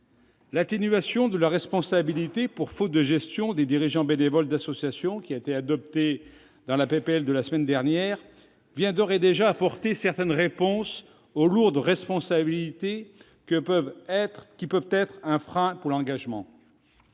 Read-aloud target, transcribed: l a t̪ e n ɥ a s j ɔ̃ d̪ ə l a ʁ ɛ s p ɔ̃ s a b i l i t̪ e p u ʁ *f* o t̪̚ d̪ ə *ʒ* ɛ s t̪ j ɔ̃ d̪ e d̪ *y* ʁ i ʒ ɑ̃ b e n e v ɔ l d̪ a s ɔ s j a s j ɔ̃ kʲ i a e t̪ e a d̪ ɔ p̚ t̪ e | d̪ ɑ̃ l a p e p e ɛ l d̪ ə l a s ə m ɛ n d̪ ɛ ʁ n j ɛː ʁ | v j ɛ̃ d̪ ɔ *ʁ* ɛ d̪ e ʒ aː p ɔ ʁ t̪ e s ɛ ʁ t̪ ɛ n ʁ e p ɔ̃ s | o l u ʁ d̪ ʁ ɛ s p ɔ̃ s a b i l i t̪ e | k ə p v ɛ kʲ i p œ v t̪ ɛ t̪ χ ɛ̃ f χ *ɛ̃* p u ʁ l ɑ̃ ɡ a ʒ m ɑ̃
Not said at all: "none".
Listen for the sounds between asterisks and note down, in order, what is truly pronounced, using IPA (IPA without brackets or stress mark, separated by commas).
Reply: f, ʒ, i, ʁ, ɛ̃